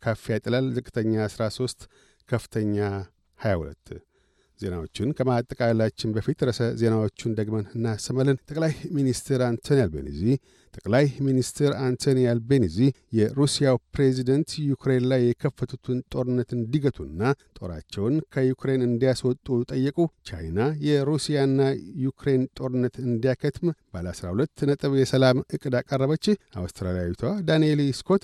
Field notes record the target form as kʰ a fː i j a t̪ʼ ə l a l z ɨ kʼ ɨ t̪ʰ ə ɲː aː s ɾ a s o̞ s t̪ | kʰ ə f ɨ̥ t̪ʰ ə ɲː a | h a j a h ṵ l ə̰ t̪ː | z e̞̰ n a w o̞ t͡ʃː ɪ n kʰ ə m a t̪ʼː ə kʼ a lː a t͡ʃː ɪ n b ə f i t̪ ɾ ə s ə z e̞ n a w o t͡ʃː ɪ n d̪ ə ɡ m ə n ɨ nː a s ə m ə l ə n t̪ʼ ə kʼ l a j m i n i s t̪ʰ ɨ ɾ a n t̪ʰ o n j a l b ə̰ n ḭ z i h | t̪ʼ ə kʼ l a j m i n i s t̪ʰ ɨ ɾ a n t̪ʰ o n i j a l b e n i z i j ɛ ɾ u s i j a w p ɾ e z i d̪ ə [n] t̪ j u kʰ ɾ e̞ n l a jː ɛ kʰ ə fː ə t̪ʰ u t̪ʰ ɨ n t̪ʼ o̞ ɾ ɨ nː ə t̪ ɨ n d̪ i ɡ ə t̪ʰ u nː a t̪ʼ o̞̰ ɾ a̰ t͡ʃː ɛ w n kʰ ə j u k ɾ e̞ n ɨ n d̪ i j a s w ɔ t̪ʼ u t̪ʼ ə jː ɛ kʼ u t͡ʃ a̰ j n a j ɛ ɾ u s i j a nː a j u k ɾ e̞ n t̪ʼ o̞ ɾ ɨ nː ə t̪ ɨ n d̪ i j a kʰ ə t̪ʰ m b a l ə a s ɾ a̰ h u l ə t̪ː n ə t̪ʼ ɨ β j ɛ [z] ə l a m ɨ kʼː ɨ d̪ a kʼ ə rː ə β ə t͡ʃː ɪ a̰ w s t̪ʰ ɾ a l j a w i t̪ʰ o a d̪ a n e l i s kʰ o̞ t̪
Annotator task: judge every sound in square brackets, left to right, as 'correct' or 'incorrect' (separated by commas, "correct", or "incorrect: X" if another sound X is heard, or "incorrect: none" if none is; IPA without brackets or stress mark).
correct, incorrect: s